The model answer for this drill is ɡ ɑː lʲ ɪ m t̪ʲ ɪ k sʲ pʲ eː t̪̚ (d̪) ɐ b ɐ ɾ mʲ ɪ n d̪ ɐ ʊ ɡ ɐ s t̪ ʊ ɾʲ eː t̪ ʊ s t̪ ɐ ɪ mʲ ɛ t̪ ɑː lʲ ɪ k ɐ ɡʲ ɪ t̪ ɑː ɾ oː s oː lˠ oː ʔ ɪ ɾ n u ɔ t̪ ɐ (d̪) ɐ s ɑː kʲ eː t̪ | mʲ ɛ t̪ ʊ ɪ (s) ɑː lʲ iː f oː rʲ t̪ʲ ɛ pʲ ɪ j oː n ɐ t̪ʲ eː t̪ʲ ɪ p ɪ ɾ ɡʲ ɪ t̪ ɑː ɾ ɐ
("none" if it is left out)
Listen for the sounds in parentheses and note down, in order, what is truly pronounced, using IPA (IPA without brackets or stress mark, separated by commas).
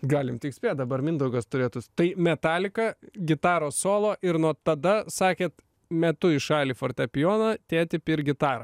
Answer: d̪, d̪, ʃ